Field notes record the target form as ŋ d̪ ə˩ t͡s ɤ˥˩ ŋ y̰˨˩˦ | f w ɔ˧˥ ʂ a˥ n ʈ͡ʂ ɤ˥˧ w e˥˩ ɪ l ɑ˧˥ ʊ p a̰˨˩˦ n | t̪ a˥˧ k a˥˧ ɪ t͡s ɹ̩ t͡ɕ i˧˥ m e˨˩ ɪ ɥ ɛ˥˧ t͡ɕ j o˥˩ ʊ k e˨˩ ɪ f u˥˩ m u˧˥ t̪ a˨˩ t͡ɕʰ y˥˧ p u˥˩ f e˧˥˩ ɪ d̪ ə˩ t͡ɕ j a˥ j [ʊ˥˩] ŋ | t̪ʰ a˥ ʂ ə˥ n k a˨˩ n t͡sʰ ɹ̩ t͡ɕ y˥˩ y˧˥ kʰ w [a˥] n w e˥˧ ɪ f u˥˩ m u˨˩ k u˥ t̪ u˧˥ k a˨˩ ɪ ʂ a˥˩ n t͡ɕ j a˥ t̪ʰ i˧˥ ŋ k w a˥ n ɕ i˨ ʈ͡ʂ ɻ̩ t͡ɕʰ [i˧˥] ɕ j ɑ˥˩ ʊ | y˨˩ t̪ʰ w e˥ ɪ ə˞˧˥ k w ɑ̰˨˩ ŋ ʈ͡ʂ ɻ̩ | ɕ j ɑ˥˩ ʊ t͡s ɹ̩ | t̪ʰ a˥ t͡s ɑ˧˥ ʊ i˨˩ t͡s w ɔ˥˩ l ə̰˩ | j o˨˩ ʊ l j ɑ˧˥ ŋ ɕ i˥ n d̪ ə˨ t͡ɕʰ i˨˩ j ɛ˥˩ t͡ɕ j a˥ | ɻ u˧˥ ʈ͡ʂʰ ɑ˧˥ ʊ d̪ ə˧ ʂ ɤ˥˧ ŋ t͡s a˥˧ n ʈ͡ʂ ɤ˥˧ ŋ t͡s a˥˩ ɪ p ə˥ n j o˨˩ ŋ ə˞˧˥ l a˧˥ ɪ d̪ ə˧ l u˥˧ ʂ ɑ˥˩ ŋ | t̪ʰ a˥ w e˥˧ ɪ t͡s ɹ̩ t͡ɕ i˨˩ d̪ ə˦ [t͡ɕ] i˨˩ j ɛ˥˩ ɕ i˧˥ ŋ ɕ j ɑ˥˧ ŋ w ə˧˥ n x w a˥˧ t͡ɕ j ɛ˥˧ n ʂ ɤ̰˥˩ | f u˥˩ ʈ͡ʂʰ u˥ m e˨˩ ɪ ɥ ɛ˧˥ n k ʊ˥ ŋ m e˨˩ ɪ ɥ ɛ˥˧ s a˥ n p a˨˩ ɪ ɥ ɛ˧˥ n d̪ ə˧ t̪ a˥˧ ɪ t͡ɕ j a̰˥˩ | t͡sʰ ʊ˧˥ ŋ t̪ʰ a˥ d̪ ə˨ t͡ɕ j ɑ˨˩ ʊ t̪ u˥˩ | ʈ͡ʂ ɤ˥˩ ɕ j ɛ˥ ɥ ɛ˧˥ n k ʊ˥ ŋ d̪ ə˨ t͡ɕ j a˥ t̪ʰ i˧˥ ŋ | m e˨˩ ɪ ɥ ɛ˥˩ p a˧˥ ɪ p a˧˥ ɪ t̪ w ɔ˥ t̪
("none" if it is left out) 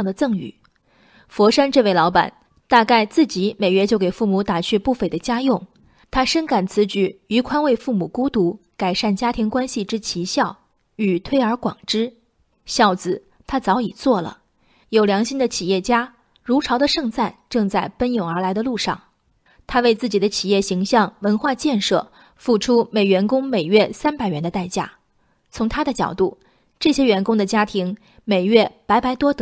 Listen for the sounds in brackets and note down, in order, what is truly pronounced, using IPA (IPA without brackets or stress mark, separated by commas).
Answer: ʊ˥˩, a˥, i˧˥, t͡ɕʰ